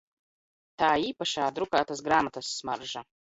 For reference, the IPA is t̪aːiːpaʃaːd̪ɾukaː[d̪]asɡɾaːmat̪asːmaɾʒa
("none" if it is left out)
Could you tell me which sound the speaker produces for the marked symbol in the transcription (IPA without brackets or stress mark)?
t̪